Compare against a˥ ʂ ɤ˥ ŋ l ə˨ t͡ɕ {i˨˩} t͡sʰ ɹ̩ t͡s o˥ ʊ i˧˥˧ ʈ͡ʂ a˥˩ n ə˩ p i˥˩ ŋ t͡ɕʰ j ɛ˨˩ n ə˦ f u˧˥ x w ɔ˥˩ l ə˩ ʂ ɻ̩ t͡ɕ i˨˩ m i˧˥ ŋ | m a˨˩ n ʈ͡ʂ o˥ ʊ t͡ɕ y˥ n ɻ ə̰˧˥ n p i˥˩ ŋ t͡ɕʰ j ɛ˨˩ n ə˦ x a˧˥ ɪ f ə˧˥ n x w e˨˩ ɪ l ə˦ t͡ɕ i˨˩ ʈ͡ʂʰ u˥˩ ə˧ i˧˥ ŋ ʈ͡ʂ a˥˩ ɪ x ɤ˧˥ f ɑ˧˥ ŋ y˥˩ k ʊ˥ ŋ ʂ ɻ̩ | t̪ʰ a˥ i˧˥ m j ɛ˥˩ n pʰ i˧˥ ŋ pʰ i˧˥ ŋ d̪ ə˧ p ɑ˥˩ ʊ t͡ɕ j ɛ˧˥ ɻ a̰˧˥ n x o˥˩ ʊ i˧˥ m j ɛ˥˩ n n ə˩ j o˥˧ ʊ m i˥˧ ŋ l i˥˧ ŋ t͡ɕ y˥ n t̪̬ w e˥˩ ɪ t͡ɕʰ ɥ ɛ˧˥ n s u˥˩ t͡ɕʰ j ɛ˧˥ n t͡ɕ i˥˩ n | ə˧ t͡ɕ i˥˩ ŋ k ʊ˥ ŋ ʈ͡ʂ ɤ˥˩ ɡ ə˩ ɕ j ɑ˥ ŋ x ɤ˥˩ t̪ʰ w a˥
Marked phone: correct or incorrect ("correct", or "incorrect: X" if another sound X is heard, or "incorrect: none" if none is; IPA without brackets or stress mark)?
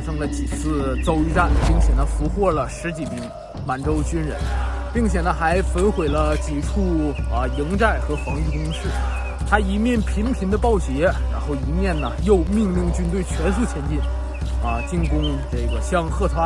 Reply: correct